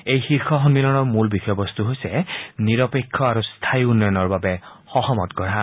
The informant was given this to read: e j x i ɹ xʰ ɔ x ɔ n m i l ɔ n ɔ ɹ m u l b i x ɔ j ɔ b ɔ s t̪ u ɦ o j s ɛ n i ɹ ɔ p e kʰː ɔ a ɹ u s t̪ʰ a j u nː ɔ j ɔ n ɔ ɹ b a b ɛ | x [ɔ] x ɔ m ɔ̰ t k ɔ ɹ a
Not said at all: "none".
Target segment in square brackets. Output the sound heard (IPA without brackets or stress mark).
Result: ɔ